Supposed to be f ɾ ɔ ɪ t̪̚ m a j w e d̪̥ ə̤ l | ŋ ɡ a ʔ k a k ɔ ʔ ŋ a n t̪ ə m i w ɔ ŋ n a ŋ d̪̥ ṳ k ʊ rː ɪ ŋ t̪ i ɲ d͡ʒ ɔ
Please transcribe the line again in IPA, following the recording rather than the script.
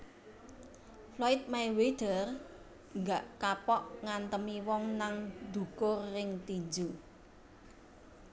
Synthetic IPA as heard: f l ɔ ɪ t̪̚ m a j w e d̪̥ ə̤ r | ŋ ɡ a ʔ k a p ɔ ʔ ŋ a n t̪ ə m i w ɔ ŋ n a ŋ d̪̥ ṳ k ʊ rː ɪ ŋ t̪ i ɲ d͡ʒ u